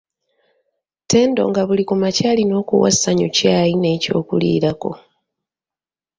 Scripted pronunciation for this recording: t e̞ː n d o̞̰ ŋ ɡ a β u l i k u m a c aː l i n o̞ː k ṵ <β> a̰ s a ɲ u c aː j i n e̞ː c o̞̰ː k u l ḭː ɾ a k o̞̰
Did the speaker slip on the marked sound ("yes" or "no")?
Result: yes